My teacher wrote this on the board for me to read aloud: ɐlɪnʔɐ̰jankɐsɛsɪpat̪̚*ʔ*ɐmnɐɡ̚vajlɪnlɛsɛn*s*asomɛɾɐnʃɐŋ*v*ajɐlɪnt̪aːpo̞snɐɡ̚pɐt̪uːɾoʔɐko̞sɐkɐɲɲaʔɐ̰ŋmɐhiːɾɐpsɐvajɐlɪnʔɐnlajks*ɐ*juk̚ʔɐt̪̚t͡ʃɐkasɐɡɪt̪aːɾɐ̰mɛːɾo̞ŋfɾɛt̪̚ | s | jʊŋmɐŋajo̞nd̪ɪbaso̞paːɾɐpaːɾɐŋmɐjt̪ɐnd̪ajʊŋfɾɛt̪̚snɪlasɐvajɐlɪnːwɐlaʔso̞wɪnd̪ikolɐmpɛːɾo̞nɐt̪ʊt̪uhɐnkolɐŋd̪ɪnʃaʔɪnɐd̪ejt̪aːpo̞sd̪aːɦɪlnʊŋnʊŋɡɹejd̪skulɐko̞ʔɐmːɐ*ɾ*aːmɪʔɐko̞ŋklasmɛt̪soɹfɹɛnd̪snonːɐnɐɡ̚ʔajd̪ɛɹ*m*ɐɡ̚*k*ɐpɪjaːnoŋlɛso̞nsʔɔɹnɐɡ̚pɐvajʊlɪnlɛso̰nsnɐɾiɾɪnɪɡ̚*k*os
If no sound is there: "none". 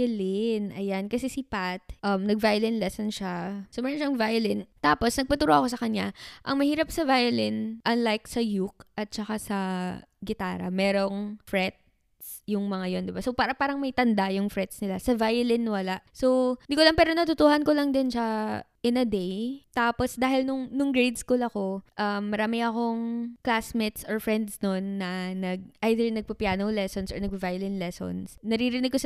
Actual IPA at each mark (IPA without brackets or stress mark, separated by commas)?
ʔ, ʃ, v, ɐ, ɾ, n, p, k